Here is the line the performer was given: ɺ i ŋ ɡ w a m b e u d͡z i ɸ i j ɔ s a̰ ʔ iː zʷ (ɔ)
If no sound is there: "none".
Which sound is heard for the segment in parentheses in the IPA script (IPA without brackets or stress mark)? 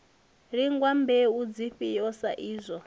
ɔ